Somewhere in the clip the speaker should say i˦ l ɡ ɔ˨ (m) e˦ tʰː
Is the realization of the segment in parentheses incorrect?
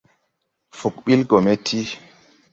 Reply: no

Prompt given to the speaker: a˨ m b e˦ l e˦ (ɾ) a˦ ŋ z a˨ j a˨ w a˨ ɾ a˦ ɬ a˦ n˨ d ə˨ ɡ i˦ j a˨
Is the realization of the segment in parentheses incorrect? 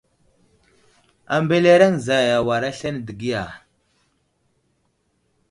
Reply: no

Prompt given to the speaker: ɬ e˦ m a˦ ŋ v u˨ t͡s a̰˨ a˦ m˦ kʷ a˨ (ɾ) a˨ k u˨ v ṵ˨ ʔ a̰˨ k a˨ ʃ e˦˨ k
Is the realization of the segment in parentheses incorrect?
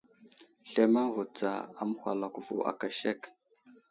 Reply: yes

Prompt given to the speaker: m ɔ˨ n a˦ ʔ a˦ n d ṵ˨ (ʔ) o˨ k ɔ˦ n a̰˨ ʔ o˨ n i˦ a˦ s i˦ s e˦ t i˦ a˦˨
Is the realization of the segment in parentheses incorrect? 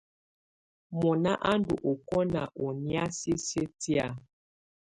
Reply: no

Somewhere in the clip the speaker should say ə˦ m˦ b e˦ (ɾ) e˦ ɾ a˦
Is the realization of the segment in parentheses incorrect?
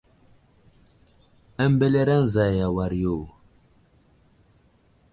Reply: yes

